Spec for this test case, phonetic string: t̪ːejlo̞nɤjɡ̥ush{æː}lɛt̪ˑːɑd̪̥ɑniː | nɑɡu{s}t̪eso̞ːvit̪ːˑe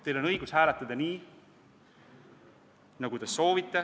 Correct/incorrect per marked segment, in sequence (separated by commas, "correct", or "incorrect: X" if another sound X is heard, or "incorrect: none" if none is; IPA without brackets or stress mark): correct, incorrect: none